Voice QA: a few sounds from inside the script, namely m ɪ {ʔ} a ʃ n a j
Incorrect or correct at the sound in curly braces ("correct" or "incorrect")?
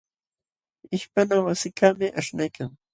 correct